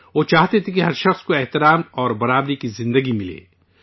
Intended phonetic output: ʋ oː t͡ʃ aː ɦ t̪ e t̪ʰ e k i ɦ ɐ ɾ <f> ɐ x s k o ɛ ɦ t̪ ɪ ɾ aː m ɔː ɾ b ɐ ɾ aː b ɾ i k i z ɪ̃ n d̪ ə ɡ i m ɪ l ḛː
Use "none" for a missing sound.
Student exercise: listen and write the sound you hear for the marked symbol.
ʃ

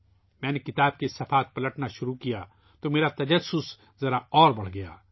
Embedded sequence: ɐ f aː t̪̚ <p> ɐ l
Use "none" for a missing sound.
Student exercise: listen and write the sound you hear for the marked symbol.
p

